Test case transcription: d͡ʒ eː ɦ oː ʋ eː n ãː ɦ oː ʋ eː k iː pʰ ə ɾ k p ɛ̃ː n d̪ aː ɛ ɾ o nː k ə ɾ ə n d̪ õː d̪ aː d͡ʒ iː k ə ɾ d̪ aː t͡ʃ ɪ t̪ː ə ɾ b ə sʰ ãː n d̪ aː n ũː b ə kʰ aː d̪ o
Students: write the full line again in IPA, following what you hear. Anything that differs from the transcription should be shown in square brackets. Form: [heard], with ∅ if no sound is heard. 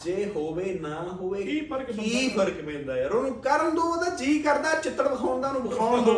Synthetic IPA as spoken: d͡ʒ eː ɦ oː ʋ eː n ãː ɦ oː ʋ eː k iː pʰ ə ɾ k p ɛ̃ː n d̪ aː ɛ ɾ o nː k ə ɾ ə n d̪ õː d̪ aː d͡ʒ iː k ə ɾ d̪ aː t͡ʃ ɪ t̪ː ə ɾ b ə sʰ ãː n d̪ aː n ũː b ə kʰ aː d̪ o